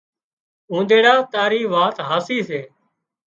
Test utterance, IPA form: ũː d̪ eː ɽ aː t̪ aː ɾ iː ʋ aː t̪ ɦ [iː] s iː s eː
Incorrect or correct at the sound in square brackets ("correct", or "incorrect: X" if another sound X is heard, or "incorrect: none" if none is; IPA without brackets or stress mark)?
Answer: incorrect: aː